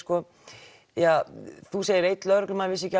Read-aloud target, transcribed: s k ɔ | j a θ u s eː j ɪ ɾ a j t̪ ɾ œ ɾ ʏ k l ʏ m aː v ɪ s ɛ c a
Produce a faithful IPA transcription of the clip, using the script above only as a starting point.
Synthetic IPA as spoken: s k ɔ | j a θ u s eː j ɪ ɾ e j t̪ l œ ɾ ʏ k l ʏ m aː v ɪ s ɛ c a